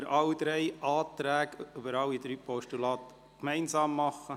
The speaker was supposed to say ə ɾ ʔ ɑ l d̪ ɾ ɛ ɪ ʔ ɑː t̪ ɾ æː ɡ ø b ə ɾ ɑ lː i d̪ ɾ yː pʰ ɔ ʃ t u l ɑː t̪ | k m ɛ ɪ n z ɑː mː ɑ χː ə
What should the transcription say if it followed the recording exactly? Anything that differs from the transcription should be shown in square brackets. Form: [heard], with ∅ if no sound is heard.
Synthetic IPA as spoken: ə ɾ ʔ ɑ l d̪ ɾ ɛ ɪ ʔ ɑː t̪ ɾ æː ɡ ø b ə ɾ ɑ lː i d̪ ɾ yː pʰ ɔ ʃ t u l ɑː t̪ | k m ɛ ɪ n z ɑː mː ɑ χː ə

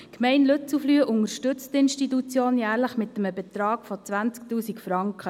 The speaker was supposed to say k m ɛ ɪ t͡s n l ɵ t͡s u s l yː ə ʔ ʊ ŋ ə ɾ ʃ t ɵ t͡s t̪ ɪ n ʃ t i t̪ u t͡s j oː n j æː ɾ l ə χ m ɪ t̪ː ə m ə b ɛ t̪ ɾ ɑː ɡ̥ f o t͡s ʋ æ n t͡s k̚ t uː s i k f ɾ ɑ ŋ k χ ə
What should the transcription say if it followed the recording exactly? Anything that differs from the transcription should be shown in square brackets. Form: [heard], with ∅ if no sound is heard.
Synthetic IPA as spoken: k m ɛ ɪ [∅] n l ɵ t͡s u [f] l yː ə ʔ ʊ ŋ ə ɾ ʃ t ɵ t͡s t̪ ɪ n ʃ t i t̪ u t͡s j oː n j æː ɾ l ə χ m ɪ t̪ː ə m ə b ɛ t̪ ɾ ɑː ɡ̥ f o t͡s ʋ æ n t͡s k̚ t uː s i k f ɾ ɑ ŋ k χ ə

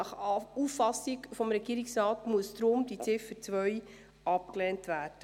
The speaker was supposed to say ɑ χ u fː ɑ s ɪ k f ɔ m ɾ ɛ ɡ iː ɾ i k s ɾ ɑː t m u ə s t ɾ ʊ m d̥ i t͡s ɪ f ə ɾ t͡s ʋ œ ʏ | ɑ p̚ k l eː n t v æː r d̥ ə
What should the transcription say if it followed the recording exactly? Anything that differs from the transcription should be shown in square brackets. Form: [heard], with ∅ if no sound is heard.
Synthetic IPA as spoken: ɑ χ u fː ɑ s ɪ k f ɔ m ɾ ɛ ɡ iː ɾ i k s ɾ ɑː t m u ə s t ɾ ʊ m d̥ i t͡s ɪ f ə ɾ t͡s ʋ œ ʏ | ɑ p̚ k l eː n t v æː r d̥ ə

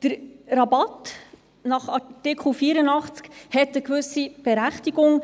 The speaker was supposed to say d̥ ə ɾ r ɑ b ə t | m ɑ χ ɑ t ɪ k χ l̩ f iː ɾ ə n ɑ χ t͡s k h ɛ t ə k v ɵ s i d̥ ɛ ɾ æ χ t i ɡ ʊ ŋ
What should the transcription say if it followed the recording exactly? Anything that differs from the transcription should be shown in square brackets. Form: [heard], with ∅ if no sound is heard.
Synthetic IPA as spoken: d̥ ə ɾ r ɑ b [ɑ] t | [n] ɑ χ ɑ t ɪ k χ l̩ f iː ɾ ə n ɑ χ t͡s k h ɛ t ə k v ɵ s i [b̥] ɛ ɾ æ χ t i ɡ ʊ ŋ

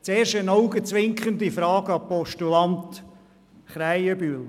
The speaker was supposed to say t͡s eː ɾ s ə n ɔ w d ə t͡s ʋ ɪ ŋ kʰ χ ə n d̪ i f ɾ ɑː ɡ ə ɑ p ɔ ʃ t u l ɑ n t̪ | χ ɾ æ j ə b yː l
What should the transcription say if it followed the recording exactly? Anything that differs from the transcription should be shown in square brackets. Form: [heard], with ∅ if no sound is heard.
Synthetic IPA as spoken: t͡s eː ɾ [ʃ] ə n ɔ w [ɡ] ə t͡s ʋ ɪ ŋ [k] χ ə n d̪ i f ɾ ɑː ɡ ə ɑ p ɔ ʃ t u l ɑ n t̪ | χ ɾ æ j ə b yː l

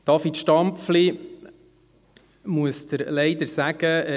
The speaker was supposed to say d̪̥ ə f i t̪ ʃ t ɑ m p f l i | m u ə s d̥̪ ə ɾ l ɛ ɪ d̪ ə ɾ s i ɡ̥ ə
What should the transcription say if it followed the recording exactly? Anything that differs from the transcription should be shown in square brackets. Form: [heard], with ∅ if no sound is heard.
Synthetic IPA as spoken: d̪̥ [ɑ] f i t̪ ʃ t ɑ m p f l i | m u ə s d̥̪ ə ɾ l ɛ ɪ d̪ ə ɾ s [æ] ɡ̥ ə

